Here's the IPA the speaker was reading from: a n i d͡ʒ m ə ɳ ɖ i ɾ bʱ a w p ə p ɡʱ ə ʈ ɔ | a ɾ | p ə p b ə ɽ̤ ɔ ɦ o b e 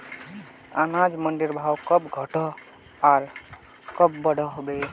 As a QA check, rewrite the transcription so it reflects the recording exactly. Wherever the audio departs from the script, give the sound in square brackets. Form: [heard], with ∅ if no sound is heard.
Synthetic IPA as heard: a n [a] d͡ʒ m ə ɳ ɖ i ɾ bʱ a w [k] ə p ɡʱ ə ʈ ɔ | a ɾ | [k] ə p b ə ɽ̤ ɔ ɦ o b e